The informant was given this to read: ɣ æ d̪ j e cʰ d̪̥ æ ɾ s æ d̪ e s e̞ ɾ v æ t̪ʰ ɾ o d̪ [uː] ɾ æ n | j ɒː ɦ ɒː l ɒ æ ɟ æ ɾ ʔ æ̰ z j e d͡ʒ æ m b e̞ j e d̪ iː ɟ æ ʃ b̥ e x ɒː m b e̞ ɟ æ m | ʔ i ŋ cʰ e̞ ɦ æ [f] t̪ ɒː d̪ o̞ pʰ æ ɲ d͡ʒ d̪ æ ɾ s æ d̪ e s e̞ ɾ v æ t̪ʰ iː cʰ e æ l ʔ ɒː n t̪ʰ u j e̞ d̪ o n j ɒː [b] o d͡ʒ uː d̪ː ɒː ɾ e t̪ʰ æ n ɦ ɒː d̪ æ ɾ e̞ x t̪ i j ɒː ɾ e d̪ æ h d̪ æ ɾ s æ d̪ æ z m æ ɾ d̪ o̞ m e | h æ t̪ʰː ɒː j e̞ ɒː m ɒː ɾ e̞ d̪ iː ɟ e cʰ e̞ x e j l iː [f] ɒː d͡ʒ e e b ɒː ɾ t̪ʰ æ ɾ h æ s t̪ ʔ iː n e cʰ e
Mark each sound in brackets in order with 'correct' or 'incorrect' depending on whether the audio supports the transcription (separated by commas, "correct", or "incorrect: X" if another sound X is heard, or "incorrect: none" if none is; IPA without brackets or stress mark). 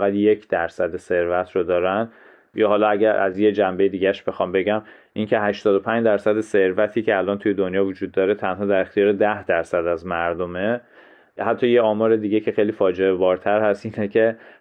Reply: incorrect: ɒː, incorrect: ʃ, incorrect: v, correct